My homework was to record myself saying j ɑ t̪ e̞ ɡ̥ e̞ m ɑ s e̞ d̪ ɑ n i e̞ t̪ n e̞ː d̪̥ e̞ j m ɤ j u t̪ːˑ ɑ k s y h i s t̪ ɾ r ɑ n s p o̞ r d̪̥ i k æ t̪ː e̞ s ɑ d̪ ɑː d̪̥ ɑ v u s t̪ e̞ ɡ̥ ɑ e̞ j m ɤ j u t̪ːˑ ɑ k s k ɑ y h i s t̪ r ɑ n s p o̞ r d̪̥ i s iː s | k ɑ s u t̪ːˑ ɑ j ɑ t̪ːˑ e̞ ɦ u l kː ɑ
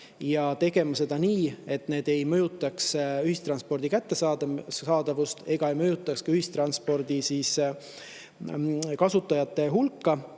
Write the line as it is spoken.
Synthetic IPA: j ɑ t̪ e̞ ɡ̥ e̞ m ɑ s e̞ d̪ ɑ n iː e̞ t̪ n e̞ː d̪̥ e̞ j m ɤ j u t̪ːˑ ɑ k s y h i s t̪ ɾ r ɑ n s p o̞ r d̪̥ i k æ t̪ː e̞ s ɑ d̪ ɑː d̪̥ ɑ v u s t̪ e̞ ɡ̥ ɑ e̞ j m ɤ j u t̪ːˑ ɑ k s k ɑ y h i s t̪ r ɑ n s p o̞ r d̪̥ i s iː s | k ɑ s u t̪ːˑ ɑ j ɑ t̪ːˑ e̞ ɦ u l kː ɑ